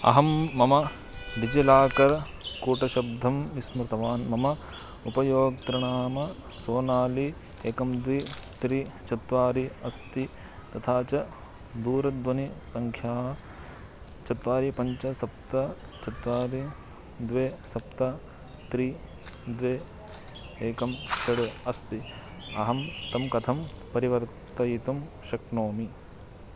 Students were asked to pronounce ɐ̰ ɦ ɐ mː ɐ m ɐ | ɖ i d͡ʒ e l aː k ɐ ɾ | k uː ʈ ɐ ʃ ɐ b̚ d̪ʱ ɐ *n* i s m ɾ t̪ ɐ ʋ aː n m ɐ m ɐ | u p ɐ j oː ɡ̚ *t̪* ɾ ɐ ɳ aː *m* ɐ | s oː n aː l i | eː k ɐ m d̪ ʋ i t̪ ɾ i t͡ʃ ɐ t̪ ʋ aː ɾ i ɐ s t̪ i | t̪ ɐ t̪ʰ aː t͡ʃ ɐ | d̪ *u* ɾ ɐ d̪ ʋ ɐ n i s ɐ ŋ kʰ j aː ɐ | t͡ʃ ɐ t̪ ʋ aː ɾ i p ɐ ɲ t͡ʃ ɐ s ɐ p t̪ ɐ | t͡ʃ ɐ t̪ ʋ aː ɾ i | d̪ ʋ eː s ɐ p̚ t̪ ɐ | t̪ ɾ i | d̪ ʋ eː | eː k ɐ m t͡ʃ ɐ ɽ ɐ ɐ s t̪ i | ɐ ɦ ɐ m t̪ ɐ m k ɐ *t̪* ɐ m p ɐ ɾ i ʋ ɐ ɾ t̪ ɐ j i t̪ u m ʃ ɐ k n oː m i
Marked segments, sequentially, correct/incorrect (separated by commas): incorrect, correct, correct, incorrect, incorrect